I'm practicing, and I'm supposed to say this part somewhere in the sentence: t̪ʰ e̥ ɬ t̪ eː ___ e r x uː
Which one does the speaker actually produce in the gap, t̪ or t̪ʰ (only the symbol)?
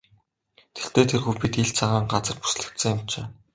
t̪ʰ